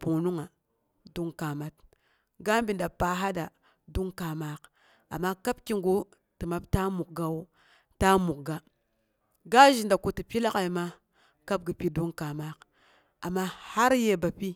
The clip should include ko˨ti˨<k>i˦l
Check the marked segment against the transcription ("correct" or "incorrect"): incorrect